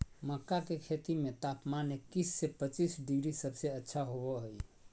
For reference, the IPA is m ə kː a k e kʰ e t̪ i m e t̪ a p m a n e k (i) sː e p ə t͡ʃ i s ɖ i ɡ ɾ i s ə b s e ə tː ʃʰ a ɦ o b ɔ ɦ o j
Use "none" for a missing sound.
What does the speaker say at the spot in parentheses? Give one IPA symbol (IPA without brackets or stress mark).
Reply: i